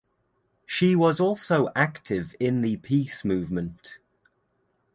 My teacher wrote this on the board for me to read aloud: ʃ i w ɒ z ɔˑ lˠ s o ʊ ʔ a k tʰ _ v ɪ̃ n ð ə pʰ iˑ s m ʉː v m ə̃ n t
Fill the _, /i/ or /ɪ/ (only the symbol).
ɪ